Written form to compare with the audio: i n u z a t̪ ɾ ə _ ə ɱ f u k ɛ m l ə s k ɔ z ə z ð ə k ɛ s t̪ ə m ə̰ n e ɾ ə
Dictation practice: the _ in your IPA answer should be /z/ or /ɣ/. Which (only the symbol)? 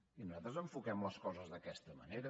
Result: z